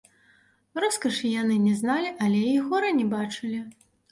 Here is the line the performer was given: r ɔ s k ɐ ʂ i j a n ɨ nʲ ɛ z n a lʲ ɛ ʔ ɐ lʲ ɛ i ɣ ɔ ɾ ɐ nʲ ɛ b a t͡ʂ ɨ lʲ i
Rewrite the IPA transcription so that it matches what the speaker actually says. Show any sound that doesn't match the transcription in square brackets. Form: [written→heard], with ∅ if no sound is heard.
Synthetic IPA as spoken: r ɔ s k ɐ ʂ i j a n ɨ nʲ ɛ z n a lʲ [ɛ→i] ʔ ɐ lʲ ɛ i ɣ ɔ ɾ ɐ nʲ ɛ b a t͡ʂ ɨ lʲ i

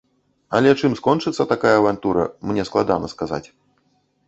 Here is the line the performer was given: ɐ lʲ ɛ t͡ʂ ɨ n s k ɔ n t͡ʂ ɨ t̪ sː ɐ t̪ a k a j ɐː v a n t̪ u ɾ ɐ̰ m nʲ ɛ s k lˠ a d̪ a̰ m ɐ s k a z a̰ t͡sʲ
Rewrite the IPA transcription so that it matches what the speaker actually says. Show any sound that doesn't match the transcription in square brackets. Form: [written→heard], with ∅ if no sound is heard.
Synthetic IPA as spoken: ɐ lʲ ɛ t͡ʂ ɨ [n→m] s k ɔ n t͡ʂ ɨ t̪ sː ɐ t̪ a k a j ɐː v a n t̪ u ɾ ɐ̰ m nʲ ɛ s k lˠ a d̪ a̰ [m→n] ɐ s k a z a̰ t͡sʲ

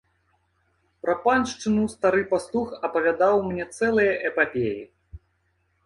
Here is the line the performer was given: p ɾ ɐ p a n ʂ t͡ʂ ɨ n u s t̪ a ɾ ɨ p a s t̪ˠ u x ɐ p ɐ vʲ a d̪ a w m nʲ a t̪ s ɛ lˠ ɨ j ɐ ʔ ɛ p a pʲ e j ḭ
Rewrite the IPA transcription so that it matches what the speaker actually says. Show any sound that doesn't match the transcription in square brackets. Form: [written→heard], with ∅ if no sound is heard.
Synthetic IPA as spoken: p ɾ ɐ p a n ʂ t͡ʂ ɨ n u s t̪ a ɾ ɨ p a s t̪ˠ u x ɐ p ɐ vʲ a d̪ a w m nʲ [a→ɛ] t̪ s ɛ lˠ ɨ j ɐ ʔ ɛ p a pʲ e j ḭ

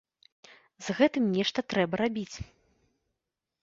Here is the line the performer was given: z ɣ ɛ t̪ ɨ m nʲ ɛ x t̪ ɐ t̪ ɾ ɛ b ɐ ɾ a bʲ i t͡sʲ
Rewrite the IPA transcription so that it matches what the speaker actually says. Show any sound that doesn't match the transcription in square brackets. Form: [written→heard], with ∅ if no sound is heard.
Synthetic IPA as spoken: z ɣ ɛ t̪ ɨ m nʲ ɛ [x→ʂ] t̪ ɐ t̪ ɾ ɛ b ɐ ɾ a bʲ i t͡sʲ

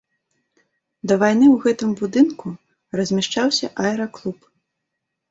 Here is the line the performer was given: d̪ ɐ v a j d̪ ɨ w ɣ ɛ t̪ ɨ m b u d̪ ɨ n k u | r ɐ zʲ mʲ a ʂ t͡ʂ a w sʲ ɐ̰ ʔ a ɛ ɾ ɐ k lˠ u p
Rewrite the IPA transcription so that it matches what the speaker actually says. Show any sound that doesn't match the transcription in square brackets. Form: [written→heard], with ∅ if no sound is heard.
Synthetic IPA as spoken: d̪ ɐ v a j [d̪→n̪] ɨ w ɣ ɛ t̪ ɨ m b u d̪ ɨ n k u | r ɐ zʲ mʲ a ʂ t͡ʂ a w sʲ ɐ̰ ʔ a ɛ ɾ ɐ k lˠ u p

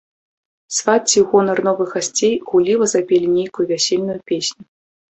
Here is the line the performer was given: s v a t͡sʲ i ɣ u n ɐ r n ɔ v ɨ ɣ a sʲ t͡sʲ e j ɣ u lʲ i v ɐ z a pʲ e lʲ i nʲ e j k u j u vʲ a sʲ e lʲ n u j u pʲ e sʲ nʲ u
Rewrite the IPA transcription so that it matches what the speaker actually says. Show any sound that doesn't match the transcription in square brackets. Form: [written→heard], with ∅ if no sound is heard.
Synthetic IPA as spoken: s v a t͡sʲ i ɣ [u→ɔ] n ɐ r n ɔ v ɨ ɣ a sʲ t͡sʲ e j ɣ u lʲ i v ɐ z a pʲ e lʲ i nʲ e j k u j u vʲ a sʲ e lʲ n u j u pʲ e sʲ nʲ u

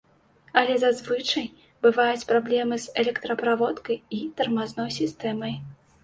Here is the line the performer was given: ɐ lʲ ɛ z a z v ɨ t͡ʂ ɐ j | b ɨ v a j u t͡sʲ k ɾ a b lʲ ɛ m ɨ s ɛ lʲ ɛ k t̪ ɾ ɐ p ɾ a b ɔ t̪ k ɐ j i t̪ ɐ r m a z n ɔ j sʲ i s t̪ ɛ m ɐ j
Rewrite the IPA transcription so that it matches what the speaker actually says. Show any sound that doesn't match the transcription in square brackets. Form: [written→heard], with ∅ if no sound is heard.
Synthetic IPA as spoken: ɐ lʲ ɛ z a z v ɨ t͡ʂ ɐ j | b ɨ v a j u t͡sʲ [k→p] ɾ a b lʲ ɛ m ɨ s ɛ lʲ ɛ k t̪ ɾ ɐ p ɾ a [b→v] ɔ t̪ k ɐ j i t̪ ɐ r m a z n ɔ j sʲ i s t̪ ɛ m ɐ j

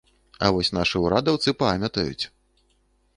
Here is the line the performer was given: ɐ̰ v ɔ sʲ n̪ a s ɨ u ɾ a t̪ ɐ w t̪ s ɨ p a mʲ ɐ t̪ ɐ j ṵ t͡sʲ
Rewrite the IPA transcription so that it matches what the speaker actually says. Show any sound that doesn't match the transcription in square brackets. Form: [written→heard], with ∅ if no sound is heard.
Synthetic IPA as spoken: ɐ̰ v ɔ sʲ n̪ a [s→ʂ] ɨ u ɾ a [t̪→d̪] ɐ w t̪ s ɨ p a mʲ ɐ t̪ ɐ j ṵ t͡sʲ

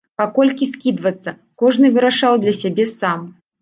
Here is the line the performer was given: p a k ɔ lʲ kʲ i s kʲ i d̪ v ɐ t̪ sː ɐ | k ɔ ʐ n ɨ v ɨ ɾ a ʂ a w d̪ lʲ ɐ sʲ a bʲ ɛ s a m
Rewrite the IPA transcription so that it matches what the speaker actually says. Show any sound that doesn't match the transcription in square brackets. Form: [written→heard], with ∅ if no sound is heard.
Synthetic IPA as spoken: p a k ɔ lʲ kʲ i s kʲ i d̪ v ɐ t̪ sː ɐ | k ɔ ʐ n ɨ v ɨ ɾ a ʂ a w d̪ lʲ ɐ sʲ a bʲ ɛ s a m

